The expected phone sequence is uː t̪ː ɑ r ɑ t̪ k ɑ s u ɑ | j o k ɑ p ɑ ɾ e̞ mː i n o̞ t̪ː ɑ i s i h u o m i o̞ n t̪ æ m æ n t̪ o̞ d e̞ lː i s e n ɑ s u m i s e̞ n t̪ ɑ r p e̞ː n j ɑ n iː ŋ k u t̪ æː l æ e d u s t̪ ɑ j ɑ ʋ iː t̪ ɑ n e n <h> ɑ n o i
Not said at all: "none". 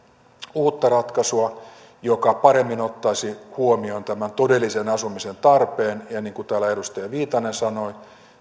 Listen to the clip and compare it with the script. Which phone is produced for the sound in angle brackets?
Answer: s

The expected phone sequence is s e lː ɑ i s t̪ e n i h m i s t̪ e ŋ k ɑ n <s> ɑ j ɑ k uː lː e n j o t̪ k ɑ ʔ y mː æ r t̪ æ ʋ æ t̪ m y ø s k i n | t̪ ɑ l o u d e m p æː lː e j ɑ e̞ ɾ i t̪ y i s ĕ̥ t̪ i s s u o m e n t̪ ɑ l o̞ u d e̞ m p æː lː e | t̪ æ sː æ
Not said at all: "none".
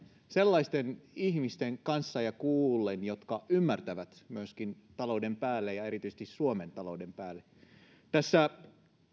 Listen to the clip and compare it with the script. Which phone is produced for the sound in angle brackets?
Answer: sː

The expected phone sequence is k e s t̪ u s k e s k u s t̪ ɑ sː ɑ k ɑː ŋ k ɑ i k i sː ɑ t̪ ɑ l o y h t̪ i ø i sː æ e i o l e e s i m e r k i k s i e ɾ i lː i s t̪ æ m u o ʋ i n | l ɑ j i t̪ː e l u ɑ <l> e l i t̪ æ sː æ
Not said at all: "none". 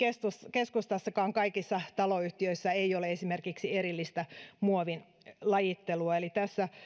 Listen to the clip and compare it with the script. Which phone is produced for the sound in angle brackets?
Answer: none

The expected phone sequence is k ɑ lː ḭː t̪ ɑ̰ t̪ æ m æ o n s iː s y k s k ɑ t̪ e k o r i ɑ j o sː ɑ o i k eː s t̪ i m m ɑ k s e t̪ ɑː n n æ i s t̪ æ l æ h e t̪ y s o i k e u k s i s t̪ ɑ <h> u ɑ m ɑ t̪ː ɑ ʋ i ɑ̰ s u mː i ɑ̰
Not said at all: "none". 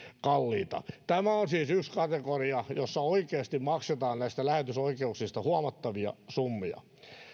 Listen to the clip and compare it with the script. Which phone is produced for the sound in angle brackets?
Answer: h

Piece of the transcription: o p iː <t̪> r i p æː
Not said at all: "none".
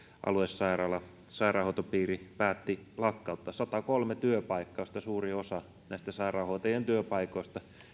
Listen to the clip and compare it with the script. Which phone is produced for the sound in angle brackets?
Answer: none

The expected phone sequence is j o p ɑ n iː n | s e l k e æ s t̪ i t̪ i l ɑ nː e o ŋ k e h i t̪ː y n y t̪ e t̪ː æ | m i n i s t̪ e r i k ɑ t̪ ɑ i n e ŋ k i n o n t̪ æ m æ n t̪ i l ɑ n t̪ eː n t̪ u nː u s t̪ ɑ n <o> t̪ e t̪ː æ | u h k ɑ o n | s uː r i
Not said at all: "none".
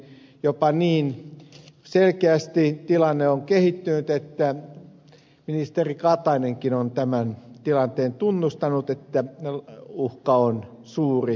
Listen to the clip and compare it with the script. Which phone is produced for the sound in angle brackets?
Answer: u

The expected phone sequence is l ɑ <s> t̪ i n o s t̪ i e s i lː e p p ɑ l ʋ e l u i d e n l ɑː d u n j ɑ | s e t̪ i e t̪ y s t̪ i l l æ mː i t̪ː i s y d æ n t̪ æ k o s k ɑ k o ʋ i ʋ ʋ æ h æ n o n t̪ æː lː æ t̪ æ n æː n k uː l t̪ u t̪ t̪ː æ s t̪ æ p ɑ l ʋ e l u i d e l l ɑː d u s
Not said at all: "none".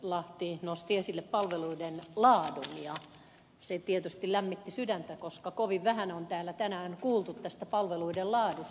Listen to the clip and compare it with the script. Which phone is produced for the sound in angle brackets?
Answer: h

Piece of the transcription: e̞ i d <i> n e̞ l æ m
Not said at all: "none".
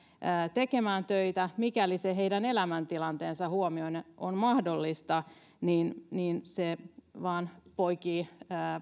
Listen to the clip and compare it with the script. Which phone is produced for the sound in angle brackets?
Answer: æ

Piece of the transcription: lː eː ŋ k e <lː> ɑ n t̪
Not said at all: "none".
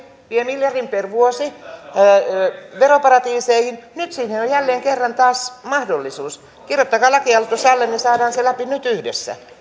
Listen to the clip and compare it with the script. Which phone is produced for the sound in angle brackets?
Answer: rː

